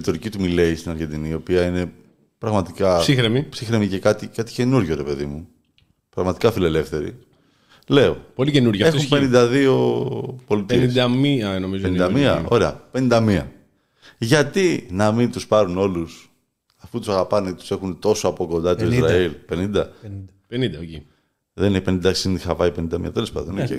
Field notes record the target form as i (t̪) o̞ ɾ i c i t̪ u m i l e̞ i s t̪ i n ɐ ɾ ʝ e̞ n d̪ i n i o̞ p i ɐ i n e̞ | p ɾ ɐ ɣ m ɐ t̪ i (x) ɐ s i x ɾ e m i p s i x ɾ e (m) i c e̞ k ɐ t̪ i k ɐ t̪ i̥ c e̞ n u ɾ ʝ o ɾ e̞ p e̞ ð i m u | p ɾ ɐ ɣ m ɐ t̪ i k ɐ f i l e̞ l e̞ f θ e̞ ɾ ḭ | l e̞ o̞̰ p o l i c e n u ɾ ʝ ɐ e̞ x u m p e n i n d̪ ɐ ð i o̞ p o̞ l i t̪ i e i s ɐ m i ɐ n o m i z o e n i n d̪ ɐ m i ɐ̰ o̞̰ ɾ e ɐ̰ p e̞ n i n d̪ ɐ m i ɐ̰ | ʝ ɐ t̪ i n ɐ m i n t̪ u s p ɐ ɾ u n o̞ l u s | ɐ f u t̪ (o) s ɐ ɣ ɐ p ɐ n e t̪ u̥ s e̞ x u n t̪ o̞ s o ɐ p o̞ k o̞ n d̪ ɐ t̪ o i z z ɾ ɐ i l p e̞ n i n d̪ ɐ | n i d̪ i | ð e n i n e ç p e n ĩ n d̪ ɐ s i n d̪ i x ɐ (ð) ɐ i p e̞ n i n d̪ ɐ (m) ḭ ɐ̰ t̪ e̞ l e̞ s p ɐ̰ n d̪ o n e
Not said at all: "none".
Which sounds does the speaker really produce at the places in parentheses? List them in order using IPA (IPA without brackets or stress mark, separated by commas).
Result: t̪, k, m, u, v, m